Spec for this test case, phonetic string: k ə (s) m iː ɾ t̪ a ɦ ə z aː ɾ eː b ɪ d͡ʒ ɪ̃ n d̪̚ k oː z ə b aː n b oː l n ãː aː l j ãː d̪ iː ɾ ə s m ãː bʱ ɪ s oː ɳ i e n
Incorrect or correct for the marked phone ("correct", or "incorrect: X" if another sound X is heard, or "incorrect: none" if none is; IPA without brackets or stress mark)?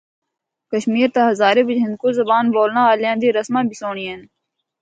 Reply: incorrect: ʃ